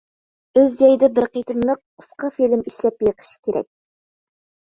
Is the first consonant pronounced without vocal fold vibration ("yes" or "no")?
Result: no